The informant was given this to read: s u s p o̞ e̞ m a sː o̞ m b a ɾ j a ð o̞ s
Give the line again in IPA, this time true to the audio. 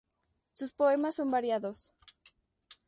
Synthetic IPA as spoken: s u s p o̞ e̞ m a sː o̞ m b a ɾ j a ð o̞ s